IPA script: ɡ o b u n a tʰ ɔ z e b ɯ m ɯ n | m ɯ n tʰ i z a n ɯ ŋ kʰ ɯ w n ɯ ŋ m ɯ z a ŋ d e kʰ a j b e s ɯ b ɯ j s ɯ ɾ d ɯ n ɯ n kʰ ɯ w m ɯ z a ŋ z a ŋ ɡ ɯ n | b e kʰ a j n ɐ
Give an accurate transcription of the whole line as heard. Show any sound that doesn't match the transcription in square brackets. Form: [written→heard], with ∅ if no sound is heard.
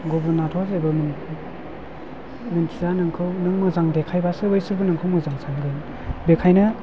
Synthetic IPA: ɡ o b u n a tʰ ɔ z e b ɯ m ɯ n | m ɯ n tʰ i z a n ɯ ŋ kʰ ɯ w n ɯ ŋ m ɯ z a ŋ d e kʰ a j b [e→a] s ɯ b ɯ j s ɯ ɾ [d→b] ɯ n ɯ [n→ŋ] kʰ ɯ w m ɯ z a ŋ [z→s] a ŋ ɡ ɯ n | b e kʰ a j n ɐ